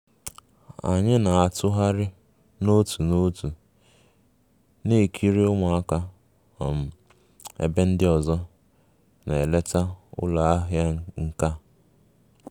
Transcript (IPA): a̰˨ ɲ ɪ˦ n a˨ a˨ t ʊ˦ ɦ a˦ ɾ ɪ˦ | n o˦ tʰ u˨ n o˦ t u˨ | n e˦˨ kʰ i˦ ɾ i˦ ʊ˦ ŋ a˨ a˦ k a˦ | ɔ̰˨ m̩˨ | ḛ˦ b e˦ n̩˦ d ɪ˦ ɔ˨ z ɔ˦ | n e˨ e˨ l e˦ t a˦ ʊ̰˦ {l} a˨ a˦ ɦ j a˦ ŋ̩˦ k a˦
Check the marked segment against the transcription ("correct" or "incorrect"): correct